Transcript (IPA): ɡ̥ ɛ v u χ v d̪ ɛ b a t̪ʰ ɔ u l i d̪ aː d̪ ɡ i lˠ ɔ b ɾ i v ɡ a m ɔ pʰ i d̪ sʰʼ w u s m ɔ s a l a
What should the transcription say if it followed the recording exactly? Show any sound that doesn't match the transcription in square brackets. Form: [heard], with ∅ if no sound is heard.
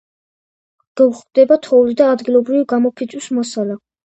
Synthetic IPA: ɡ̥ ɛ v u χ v d̪ ɛ b a t̪ʰ ɔ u l i d̪ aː d̪ ɡ i lˠ ɔ b ɾ i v ɡ a m ɔ pʰ i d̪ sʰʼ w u s m ɔ s a l a